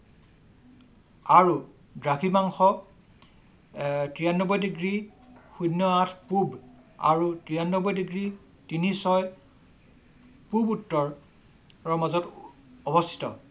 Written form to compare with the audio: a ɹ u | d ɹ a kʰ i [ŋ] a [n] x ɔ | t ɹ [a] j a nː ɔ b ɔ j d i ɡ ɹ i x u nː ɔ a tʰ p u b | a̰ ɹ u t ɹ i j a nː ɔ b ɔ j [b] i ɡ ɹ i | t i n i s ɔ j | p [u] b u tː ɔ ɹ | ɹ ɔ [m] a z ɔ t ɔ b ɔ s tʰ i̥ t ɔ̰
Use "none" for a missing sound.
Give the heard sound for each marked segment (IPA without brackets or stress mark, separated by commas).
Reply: m, ŋ, i, d, u, m